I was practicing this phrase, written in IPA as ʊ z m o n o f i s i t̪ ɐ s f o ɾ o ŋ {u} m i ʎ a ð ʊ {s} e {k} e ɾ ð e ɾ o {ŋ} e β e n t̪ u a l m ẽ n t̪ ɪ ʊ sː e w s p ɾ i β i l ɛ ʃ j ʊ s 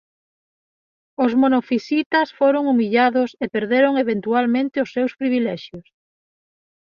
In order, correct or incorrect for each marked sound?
correct, correct, incorrect, correct

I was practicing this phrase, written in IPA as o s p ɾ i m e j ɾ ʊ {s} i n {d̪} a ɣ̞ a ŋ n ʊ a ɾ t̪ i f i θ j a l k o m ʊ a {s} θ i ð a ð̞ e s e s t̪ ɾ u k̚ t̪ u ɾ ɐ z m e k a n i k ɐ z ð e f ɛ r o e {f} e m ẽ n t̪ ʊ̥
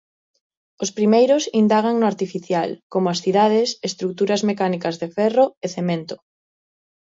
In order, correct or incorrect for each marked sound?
correct, correct, correct, incorrect

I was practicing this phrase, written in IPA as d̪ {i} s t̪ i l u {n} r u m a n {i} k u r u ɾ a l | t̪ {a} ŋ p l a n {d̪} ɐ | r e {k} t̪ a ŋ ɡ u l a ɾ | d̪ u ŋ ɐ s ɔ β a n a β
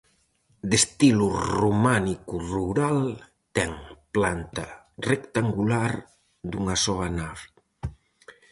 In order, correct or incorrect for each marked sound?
incorrect, incorrect, correct, incorrect, incorrect, correct

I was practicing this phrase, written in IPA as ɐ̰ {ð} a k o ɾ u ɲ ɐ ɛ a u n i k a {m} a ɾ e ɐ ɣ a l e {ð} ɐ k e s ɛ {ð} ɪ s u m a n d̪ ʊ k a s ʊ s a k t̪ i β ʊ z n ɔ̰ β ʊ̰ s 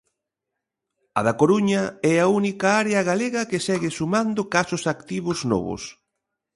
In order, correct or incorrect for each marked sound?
correct, incorrect, incorrect, incorrect

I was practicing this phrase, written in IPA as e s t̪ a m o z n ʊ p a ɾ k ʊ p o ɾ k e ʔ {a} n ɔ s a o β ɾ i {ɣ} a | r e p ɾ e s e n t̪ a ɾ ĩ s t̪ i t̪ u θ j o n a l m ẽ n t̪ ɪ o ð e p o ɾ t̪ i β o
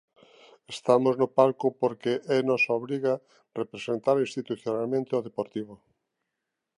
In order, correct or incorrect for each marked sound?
incorrect, correct

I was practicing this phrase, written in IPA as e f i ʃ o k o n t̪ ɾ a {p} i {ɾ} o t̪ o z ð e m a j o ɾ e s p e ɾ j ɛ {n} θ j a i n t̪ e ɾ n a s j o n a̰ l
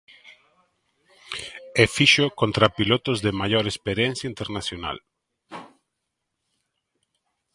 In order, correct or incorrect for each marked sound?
correct, incorrect, correct

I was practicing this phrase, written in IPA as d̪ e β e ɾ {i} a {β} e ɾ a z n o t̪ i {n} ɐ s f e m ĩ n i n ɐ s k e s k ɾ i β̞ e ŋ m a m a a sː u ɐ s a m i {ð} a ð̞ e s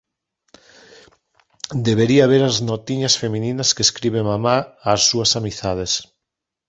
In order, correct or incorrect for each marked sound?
correct, correct, incorrect, incorrect

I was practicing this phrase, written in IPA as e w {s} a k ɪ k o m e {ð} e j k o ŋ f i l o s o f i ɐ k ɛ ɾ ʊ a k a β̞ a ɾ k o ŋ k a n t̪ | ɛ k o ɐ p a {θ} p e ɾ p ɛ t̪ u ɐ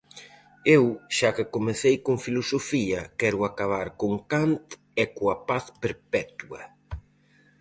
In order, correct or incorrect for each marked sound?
incorrect, incorrect, correct

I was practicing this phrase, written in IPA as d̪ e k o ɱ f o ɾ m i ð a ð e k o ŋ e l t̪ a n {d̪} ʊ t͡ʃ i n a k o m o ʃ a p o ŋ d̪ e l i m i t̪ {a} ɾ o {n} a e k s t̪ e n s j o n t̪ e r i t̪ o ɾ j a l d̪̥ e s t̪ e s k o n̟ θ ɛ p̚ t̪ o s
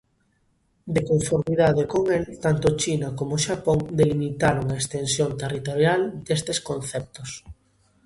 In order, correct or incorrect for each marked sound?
incorrect, correct, incorrect

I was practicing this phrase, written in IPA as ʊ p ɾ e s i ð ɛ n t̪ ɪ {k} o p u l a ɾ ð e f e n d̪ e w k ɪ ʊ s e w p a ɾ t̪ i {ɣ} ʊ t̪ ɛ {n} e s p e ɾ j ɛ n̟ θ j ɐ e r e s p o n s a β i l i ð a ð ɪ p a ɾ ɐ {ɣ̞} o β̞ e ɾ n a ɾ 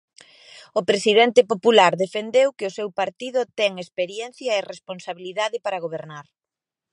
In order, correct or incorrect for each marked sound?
incorrect, incorrect, incorrect, correct

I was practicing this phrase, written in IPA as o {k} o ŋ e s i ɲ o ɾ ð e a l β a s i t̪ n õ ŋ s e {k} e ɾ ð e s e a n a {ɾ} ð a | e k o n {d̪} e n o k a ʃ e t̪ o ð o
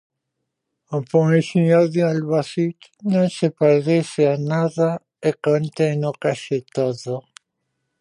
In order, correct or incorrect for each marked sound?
incorrect, incorrect, incorrect, incorrect

